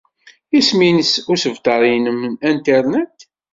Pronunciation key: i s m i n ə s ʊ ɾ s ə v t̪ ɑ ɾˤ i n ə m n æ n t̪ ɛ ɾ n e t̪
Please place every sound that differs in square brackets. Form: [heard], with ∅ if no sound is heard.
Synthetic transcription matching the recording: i s m i n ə s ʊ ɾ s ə v t̪ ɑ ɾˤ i n ə m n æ n t̪ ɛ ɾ n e t̪